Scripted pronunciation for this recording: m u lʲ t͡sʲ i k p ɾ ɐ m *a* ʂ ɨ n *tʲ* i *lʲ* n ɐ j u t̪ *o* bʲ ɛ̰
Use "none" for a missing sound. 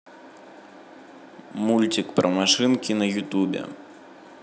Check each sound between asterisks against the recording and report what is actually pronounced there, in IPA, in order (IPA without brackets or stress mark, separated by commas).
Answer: a, kʲ, none, u